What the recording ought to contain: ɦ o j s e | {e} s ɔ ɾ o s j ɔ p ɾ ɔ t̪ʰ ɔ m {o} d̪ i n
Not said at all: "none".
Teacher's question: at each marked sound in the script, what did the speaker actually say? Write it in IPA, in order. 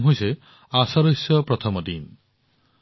a, ɔ

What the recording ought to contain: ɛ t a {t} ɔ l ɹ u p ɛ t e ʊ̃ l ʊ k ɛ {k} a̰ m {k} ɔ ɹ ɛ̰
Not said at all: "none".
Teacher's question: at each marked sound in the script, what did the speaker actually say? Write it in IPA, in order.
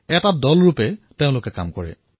d, k, k

